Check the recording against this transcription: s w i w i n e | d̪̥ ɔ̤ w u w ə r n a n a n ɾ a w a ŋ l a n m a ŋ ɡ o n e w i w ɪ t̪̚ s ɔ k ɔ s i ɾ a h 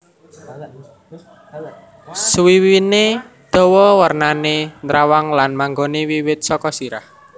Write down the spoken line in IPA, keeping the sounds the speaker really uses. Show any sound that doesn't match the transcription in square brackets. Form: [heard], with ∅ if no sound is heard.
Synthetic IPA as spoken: s w i w i n e | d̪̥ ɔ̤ w [ɔ] w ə r n a n [e] n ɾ a w a ŋ l a n m a ŋ ɡ o n e w i w ɪ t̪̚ s ɔ k ɔ s i ɾ a h

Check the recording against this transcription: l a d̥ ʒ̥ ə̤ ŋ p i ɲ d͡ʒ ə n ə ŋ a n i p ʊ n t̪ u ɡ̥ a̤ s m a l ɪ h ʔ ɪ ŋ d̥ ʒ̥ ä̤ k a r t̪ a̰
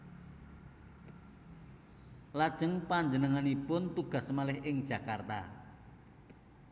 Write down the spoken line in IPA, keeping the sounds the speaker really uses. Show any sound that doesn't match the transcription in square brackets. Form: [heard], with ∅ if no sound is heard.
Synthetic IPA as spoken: l a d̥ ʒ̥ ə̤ ŋ p [a] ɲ d͡ʒ ə n ə ŋ a n i p ʊ n t̪ u ɡ̥ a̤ s m a l ɪ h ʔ ɪ ŋ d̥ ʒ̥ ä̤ k a r t̪ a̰

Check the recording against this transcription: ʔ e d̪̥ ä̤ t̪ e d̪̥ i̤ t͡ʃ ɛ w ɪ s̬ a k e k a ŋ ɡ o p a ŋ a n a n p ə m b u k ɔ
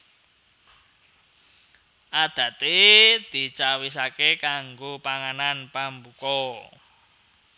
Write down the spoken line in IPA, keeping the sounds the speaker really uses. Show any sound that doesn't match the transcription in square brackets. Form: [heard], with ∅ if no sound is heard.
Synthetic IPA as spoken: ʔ [a] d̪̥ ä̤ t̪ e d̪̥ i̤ t͡ʃ [a] w [i] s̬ a k e k a ŋ ɡ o p a ŋ a n a n p [a] m b u k ɔ

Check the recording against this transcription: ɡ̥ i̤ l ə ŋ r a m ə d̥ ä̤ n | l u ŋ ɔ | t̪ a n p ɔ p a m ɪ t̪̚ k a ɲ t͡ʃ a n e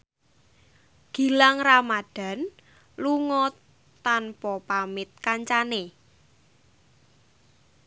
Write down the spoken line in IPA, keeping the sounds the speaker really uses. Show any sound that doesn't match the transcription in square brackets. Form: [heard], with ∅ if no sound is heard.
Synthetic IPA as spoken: ɡ̥ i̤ l [a] ŋ r a m [a] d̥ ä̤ n | l u ŋ ɔ | t̪ a n p ɔ p a m ɪ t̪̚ k a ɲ t͡ʃ a n e

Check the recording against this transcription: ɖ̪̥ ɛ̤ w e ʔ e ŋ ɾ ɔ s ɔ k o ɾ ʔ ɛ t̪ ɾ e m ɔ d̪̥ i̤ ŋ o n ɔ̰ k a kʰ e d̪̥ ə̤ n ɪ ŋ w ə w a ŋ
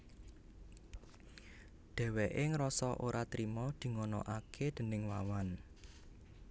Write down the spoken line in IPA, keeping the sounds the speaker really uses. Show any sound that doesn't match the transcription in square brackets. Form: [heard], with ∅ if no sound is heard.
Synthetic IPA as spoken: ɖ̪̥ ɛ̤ w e ʔ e ŋ ɾ ɔ s ɔ [ʔ] o ɾ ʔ [a] t̪ ɾ [i] m ɔ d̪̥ i̤ ŋ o n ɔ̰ [ʔ] a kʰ e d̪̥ ə̤ n ɪ ŋ w [a] w a [n]

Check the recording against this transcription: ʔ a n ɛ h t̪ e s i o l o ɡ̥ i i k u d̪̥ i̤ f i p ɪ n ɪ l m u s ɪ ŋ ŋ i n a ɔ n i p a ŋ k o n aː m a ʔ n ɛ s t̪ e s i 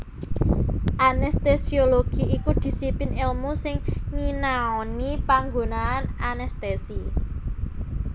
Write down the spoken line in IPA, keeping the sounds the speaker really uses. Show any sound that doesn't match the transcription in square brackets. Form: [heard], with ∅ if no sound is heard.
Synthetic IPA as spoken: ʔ a n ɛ [s] t̪ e s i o l o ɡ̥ i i k u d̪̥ i̤ [s] i p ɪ n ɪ l m u s ɪ ŋ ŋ i n a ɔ n i p a ŋ [ɡ] o n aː [n] a [∅] n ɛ s t̪ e s i

